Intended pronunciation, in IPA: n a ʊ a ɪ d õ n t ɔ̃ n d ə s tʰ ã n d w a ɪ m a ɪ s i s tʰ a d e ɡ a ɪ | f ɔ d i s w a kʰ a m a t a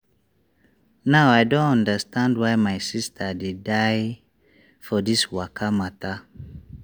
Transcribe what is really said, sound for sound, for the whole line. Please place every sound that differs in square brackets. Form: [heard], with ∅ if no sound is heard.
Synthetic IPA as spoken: n a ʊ a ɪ d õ n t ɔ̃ n d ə s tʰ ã n d w a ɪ m a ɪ s i s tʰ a d e [d] a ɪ | f ɔ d i s w a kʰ a m a t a